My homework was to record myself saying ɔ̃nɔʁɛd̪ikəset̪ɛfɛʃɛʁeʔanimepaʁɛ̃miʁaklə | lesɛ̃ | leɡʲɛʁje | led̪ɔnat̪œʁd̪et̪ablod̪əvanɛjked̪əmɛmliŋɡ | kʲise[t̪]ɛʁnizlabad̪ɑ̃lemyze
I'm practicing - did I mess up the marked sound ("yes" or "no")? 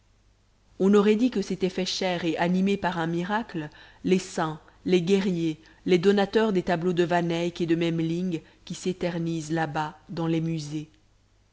no